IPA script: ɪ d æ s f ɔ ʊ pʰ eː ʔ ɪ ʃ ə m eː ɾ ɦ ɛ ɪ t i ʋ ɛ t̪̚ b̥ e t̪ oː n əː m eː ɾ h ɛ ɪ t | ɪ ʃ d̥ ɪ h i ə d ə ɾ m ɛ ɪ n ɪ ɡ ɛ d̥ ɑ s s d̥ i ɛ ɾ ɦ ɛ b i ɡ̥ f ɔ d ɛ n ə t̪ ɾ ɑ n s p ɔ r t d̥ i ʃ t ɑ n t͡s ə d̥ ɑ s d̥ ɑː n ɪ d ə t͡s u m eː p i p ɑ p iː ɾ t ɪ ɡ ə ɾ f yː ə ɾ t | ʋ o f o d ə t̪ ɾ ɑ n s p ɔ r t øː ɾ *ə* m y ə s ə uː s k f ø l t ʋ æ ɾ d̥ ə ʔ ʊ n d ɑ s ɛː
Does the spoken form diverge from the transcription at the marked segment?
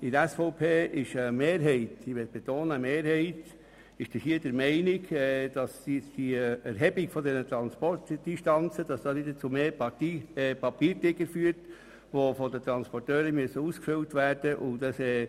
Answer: no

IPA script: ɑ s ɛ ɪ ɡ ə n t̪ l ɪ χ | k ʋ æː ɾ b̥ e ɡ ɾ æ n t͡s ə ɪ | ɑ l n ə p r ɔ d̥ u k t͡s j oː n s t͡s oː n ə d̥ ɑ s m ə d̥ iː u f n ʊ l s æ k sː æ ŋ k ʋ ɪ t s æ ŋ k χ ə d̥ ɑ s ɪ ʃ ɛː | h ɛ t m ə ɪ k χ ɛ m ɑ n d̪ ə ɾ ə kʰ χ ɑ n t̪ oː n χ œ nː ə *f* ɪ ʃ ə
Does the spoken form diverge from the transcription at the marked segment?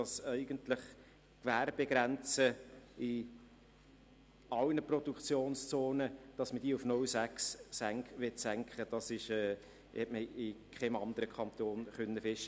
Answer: no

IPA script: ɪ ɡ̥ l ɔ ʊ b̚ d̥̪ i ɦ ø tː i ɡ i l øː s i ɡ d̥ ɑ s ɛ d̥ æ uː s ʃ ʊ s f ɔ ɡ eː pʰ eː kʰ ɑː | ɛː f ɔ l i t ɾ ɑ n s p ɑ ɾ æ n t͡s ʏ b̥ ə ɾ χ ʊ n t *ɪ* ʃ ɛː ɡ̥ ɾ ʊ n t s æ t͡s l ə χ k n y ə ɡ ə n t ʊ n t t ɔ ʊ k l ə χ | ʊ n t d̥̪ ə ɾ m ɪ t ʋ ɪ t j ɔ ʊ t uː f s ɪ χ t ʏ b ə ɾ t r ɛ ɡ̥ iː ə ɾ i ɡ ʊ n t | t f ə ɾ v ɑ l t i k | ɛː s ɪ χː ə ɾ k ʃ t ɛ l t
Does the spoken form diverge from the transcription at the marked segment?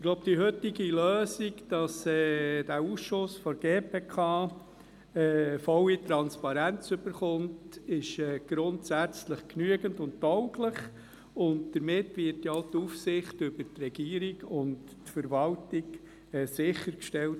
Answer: no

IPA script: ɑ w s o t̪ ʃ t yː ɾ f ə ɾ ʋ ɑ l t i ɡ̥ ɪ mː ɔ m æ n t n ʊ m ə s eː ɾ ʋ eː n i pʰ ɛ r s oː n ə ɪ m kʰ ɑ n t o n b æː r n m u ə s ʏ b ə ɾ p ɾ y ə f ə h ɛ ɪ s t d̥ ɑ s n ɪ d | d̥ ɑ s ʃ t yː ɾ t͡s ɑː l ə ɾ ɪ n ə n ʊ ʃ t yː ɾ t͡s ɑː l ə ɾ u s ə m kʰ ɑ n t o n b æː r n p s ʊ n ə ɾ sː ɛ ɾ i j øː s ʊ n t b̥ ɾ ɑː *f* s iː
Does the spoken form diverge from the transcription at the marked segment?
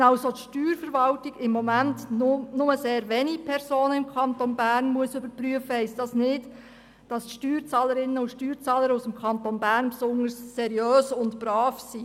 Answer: no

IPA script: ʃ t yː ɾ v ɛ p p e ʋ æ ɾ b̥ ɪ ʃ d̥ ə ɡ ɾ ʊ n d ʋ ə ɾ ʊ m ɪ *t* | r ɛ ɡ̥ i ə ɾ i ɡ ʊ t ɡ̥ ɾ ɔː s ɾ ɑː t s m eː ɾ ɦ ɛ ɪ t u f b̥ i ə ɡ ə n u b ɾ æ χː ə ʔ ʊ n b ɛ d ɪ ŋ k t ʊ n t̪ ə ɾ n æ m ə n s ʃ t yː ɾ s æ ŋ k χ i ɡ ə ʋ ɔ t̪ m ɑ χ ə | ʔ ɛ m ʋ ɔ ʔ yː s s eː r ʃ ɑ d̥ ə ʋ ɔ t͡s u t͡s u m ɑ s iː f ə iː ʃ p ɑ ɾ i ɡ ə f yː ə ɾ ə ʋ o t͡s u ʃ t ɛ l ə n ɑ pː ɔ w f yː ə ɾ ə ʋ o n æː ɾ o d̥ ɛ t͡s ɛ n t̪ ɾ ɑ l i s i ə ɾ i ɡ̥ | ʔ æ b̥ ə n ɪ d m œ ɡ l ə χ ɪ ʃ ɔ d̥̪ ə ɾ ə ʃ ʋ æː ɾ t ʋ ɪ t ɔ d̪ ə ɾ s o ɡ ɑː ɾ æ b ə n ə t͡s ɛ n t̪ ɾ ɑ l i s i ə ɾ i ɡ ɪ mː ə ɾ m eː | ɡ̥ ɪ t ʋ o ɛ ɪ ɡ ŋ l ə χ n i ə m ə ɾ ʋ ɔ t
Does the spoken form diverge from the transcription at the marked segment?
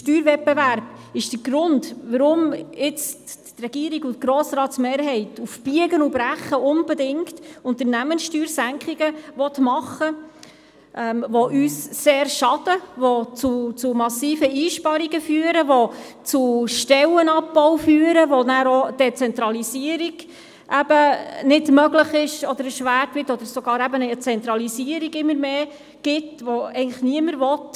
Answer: yes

